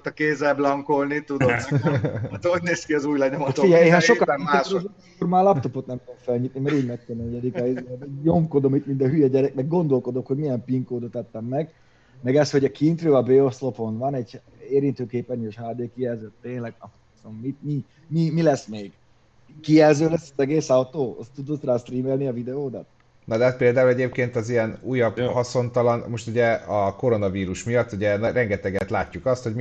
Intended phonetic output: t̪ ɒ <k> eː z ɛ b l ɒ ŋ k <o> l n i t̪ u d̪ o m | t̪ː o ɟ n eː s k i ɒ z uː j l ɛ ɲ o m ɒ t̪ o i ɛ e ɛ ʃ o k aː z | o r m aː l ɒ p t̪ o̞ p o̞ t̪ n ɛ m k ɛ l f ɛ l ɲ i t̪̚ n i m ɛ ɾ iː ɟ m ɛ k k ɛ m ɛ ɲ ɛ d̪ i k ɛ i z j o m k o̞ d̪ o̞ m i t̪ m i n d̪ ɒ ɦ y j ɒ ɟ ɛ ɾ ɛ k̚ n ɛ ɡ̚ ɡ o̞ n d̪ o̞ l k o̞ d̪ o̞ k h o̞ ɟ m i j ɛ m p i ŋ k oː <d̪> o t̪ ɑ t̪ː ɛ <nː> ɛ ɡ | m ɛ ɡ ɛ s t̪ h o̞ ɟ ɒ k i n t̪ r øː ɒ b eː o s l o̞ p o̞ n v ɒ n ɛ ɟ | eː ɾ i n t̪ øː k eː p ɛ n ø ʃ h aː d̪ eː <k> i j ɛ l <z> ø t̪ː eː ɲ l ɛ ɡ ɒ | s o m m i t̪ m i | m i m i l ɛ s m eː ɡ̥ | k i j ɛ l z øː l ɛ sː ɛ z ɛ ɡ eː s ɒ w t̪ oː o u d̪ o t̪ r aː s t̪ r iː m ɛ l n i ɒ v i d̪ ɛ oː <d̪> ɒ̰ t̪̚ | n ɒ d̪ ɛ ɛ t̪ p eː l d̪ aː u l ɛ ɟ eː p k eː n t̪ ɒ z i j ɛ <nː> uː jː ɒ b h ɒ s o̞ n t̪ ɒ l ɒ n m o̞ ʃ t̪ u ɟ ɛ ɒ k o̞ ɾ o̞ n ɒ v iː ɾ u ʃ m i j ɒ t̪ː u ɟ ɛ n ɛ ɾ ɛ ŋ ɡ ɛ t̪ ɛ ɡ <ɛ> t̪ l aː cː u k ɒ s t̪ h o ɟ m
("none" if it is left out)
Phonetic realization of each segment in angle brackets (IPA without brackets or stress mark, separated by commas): k, o, d̪, mː, k, z, d̪, n, ɛ